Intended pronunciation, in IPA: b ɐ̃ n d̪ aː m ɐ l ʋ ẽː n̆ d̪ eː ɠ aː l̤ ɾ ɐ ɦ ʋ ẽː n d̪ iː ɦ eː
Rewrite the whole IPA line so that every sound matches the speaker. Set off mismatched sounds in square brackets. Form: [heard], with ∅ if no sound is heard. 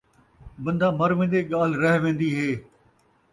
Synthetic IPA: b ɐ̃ n d̪ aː m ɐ [ɾ] ʋ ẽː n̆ d̪ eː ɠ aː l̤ ɾ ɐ ɦ ʋ ẽː n d̪ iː ɦ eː